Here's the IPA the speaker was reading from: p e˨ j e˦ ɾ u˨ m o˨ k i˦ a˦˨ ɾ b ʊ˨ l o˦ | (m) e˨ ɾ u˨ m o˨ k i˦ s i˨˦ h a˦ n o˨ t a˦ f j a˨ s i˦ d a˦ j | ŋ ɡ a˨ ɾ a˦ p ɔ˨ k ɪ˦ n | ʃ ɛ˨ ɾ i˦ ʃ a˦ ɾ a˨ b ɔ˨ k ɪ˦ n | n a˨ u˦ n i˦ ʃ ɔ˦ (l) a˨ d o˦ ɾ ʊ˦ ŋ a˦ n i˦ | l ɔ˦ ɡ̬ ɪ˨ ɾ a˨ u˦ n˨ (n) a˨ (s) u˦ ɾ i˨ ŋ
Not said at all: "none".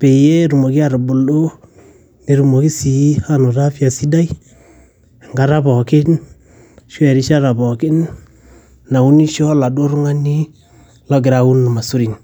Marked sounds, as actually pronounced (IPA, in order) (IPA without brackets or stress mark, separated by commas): n, l, m, s